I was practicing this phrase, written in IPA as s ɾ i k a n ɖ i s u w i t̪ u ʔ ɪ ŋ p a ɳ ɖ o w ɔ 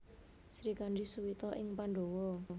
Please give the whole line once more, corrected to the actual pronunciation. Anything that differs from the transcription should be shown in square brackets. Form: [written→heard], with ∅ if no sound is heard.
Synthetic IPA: s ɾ i k a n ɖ i s u w i t̪ [u→ɔ] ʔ ɪ ŋ p a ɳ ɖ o w ɔ